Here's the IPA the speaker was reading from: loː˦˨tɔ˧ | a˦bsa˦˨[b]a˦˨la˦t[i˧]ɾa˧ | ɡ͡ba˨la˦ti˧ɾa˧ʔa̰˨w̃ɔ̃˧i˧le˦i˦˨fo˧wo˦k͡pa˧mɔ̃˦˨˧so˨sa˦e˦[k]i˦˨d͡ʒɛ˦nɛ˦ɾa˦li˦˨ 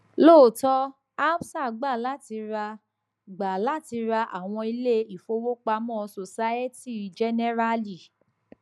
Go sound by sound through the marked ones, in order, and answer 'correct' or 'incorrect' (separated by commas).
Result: incorrect, correct, incorrect